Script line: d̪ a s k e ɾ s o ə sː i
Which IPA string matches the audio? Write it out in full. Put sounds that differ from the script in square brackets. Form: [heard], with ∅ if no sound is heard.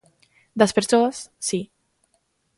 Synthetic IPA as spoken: d̪ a s [p] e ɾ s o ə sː i